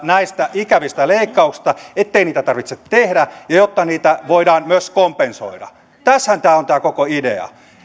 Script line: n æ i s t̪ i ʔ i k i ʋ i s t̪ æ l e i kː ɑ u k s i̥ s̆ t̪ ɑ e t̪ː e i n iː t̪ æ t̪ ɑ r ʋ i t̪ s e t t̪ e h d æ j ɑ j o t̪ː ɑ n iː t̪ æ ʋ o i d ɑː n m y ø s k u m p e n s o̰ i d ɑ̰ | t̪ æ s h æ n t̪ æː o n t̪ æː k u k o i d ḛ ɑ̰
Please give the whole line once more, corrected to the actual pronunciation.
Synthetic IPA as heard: n æ i s t̪ æ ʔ i k æ ʋ i s t̪ æ l e i kː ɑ u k s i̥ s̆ t̪ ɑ e t̪ː e i n iː t̪ æ t̪ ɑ r ʋ i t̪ s e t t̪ e h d æ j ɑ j o t̪ː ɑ n iː t̪ æ ʋ o i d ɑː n m y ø s k o m p e n s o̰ i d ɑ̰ | t̪ æ s h æ n t̪ æː o n t̪ æː k o k o i d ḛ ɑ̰